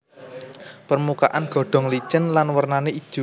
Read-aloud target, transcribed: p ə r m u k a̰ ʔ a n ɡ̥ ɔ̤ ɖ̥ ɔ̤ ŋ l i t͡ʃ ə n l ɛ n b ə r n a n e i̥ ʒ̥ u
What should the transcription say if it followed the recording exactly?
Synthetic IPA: p ə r m u k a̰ ʔ a n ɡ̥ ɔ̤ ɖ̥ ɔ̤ ŋ l i t͡ʃ ə n l a n w ə r n a n e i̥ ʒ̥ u